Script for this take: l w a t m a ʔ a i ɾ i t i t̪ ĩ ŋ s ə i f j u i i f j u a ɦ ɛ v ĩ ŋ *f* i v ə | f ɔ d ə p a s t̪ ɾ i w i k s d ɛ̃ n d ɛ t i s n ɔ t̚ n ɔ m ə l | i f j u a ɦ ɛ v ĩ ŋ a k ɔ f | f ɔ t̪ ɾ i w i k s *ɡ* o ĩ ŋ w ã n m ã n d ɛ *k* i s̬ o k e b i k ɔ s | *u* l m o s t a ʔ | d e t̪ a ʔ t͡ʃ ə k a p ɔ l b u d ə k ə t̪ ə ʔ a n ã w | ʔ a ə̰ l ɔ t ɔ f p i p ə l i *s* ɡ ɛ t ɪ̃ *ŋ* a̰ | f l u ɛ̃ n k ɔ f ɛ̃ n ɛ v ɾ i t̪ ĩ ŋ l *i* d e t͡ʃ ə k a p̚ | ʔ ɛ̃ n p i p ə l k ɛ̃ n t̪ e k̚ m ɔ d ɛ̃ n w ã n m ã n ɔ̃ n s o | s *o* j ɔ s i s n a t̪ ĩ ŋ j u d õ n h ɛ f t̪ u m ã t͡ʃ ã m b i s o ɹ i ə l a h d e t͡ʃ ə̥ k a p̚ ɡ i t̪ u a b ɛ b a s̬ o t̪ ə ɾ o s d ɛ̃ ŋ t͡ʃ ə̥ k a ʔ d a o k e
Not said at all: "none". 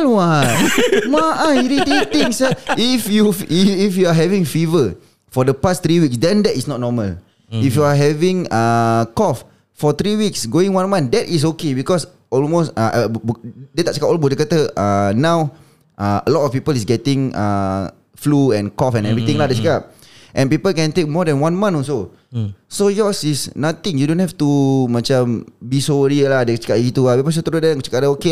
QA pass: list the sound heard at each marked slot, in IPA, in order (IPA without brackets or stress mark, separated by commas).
f, ɡ, t, ɔ, s, ŋ, a, o